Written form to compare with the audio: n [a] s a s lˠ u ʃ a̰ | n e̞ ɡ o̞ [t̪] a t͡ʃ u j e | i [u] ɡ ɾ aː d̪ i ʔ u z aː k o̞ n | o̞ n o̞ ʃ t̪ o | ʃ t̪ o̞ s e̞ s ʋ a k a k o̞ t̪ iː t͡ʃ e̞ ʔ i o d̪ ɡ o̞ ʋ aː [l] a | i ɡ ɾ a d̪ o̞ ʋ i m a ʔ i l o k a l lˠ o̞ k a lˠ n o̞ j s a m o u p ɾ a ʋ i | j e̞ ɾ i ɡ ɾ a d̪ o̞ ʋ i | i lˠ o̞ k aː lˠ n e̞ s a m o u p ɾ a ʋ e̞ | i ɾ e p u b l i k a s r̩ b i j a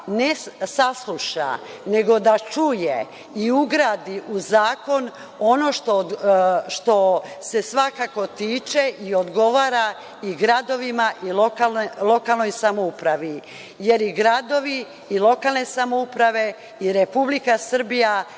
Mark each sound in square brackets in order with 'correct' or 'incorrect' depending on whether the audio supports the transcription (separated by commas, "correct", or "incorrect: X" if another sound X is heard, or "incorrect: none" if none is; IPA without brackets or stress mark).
incorrect: e, incorrect: d̪, correct, incorrect: ɾ